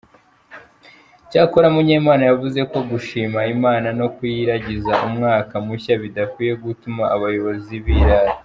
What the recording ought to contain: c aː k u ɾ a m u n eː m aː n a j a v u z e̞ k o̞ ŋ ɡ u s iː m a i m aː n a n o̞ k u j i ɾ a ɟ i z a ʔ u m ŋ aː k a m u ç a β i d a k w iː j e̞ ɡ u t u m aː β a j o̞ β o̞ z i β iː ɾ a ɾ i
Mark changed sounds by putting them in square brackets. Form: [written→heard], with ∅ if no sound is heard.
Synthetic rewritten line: c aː k [u→o] ɾ a m u [n→ɲ] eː m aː n a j a v u z e̞ k o̞ [ŋ→∅] ɡ u [s→ʃ] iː m a i m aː n a n o̞ k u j i ɾ a ɟ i z a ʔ u m ŋ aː k a m u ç a β i d a k w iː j e̞ ɡ u t u m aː β a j o̞ β o̞ z i β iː ɾ a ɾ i